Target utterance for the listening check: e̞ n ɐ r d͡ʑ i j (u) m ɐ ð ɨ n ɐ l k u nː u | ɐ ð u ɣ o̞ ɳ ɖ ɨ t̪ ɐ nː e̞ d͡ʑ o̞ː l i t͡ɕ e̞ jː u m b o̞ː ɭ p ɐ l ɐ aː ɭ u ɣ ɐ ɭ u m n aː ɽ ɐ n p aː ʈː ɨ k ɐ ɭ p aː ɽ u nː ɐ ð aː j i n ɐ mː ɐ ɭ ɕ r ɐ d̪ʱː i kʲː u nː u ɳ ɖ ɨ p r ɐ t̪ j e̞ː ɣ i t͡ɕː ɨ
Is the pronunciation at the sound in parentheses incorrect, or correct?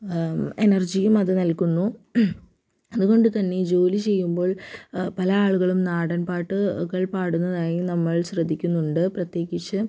correct